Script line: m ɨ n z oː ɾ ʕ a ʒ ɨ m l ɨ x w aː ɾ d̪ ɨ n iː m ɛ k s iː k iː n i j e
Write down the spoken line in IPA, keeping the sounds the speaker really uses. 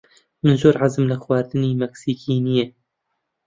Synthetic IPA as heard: m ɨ n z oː ɾ ʕ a z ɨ m l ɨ x w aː ɾ d̪ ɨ n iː m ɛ k s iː k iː n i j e